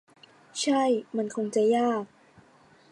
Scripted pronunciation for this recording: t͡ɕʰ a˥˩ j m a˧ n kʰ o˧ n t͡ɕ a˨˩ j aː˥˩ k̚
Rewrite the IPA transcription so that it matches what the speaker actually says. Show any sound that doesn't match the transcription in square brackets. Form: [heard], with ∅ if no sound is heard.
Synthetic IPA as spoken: t͡ɕʰ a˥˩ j m a˧ n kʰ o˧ [ŋ] t͡ɕ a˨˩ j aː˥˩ k̚